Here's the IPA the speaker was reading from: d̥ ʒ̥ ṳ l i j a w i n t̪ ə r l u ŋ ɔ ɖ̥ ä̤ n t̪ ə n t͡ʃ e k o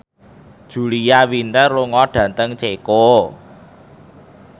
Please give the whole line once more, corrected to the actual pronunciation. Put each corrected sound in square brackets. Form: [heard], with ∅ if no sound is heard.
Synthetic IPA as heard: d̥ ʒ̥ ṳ l i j a w i n t̪ ə r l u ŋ ɔ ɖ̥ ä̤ n t̪ ə [ŋ] t͡ʃ e k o